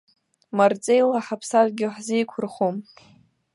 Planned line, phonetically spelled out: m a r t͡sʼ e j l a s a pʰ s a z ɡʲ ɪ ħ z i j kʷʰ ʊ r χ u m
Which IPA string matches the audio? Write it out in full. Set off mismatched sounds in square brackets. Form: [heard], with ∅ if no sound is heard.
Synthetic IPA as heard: m a r t͡sʼ e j l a [ħ] a pʰ s a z ɡʲ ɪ ħ z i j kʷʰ ʊ r χ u m